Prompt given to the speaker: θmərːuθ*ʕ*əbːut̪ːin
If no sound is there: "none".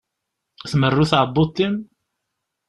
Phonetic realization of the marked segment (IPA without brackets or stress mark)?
ʕ